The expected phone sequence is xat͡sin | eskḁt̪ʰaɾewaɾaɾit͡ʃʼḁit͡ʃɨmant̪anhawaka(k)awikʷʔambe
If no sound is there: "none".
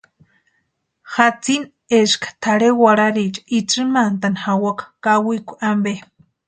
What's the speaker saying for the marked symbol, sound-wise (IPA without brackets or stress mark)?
k